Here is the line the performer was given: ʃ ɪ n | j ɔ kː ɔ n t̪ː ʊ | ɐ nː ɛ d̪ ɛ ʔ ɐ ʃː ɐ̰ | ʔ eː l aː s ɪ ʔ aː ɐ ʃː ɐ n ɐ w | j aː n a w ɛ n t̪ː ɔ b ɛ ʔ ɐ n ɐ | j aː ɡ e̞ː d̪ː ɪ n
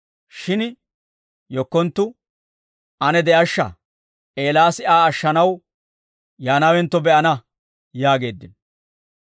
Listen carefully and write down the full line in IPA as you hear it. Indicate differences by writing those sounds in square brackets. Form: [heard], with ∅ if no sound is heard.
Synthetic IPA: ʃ ɪ n | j ɔ kː ɔ n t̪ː ʊ | ɐ [n] ɛ d̪ ɛ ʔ ɐ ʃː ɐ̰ | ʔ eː l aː s ɪ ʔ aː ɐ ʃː ɐ n ɐ w | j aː n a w ɛ n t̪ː ɔ b ɛ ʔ ɐ n ɐ | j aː ɡ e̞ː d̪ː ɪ n

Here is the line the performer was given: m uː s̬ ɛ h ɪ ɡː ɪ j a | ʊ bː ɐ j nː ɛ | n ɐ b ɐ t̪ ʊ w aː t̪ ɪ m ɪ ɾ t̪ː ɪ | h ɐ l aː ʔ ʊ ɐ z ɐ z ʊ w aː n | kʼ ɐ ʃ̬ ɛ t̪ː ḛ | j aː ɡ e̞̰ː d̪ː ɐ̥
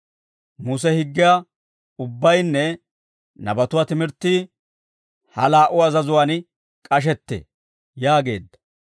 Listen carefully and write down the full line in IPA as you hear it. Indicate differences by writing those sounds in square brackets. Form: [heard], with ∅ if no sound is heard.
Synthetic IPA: m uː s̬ ɛ h ɪ ɡː ɪ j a | ʊ bː ɐ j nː ɛ | n ɐ b ɐ t̪ ʊ w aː t̪ ɪ m ɪ ɾ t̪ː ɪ | h ɐ l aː ʔ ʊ ɐ z ɐ z ʊ w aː n | kʼ ɐ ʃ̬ ɛ t̪ː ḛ | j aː ɡ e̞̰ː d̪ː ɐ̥

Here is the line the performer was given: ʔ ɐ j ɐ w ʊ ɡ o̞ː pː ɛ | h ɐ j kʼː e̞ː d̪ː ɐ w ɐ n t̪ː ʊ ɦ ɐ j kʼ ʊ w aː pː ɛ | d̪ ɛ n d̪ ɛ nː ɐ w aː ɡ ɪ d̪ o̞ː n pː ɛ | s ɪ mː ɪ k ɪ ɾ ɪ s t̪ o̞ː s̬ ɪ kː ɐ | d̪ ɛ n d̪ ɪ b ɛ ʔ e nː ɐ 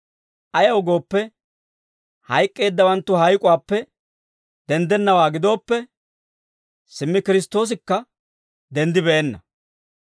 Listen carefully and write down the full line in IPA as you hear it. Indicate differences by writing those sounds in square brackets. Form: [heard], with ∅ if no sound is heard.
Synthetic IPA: ʔ ɐ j ɐ w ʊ ɡ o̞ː pː ɛ | h ɐ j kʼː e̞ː d̪ː ɐ w ɐ n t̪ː ʊ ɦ ɐ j kʼ ʊ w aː pː ɛ | d̪ ɛ n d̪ ɛ nː ɐ w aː ɡ ɪ d̪ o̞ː [∅] pː ɛ | s ɪ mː ɪ k ɪ ɾ ɪ s t̪ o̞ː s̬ ɪ kː ɐ | d̪ ɛ n d̪ ɪ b ɛ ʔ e nː ɐ

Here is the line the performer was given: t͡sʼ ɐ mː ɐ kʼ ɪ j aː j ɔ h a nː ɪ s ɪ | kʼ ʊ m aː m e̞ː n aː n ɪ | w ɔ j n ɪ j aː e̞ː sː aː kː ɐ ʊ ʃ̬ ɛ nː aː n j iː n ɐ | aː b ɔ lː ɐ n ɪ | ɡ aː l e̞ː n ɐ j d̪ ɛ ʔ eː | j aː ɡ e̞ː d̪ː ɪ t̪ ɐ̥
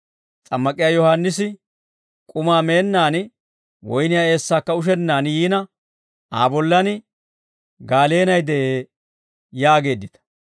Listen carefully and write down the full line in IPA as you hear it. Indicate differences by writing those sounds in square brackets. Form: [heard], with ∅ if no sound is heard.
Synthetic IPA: t͡sʼ ɐ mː ɐ kʼ ɪ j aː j ɔ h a nː ɪ s ɪ | kʼ ʊ m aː m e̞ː [nː] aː n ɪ | w ɔ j n ɪ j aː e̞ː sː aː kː ɐ ʊ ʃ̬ ɛ nː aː n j iː n ɐ | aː b ɔ lː ɐ n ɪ | ɡ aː l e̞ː n ɐ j d̪ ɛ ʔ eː | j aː ɡ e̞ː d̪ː ɪ t̪ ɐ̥

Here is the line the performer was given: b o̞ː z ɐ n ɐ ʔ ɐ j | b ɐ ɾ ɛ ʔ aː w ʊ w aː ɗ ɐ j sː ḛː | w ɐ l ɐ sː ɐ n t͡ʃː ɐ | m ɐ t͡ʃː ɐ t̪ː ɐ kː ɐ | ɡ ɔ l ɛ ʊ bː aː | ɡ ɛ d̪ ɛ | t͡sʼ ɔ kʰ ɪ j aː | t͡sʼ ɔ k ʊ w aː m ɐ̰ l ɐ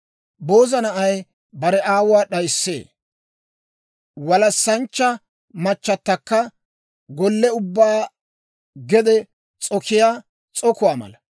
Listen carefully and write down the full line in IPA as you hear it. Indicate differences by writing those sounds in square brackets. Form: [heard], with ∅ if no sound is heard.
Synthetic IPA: b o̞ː z ɐ n ɐ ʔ ɐ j | b ɐ ɾ ɛ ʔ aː w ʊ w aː ɗ ɐ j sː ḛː | w ɐ l ɐ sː ɐ n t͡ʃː ɐ | m ɐ t͡ʃː ɐ t̪ː ɐ kː ɐ | ɡ ɔ [lː] ɛ ʊ bː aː | ɡ ɛ d̪ ɛ | t͡sʼ ɔ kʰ ɪ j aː | t͡sʼ ɔ k ʊ w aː m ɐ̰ l ɐ

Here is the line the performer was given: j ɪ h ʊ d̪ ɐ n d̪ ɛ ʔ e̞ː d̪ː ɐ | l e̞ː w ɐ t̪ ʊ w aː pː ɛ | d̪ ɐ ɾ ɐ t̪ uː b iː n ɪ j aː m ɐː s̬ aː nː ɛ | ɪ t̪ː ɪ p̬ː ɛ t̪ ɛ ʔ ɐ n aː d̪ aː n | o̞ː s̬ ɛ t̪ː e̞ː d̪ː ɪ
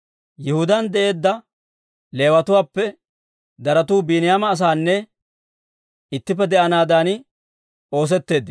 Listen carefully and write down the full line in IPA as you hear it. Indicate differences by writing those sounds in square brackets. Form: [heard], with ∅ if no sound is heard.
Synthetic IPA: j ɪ h ʊ d̪ ɐ n d̪ ɛ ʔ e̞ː d̪ː ɐ | l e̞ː w ɐ t̪ ʊ w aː pː ɛ | d̪ ɐ ɾ ɐ t̪ uː b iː n ɪ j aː m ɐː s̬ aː nː ɛ | ɪ t̪ː ɪ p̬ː ɛ [d̪] ɛ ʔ ɐ n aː d̪ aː n | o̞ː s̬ ɛ t̪ː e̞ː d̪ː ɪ

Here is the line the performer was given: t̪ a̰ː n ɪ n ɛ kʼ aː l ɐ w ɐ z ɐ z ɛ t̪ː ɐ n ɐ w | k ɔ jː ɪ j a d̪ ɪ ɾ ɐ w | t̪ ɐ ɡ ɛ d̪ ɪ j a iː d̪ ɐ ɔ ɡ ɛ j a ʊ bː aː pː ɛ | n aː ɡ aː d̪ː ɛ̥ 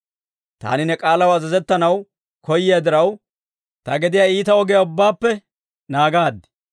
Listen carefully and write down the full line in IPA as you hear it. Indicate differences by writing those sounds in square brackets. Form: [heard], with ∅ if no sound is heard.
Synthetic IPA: t̪ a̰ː n ɪ n ɛ kʼ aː l ɐ w ɐ z ɐ z ɛ t̪ː ɐ n ɐ w | k ɔ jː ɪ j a d̪ ɪ ɾ ɐ w | t̪ ɐ ɡ ɛ d̪ ɪ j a iː [t̪] ɐ ɔ ɡ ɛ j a ʊ bː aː pː ɛ | n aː ɡ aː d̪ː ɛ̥

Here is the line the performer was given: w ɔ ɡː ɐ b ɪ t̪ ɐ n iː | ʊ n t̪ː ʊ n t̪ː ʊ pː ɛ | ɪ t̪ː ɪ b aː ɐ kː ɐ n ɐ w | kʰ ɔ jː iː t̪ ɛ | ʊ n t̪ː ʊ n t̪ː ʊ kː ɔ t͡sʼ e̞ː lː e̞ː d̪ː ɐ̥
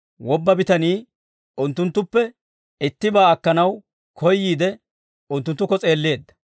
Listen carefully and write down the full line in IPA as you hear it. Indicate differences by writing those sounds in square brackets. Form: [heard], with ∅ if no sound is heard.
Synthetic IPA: w ɔ [bː] ɐ b ɪ t̪ ɐ n iː | ʊ n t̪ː ʊ n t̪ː ʊ pː ɛ | ɪ t̪ː ɪ b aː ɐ kː ɐ n ɐ w | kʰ ɔ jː iː [d̪] ɛ | ʊ n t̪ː ʊ n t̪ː ʊ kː ɔ t͡sʼ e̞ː lː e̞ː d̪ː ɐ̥

